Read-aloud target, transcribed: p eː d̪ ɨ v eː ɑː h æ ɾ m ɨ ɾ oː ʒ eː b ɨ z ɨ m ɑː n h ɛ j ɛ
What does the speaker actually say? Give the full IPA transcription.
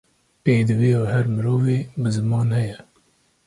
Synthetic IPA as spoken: p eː d̪ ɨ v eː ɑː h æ ɾ m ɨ ɾ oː v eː b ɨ z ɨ m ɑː n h ɛ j ɛ